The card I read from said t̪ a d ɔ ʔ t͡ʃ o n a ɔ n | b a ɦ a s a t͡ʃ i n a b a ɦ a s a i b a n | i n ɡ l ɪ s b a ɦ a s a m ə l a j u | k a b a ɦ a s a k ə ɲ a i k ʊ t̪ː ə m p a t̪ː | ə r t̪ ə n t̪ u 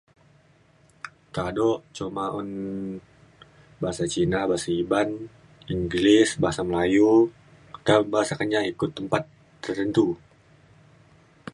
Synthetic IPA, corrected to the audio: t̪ a d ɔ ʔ t͡ʃ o m a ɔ n | b a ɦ a s a t͡ʃ i n a b a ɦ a s a i b a n | i ŋ ɡ l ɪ s b a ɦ a s a m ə l a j u | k a b a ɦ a s a k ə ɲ a i k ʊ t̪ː ə m p a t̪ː | ə r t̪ ə n t̪ u